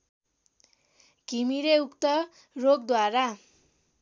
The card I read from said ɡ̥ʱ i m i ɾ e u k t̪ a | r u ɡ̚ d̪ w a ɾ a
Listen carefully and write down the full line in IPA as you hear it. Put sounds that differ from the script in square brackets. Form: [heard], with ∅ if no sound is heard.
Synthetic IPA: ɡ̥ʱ i m i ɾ e u k t̪ [ʌ] | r [o] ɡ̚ d̪ w a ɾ a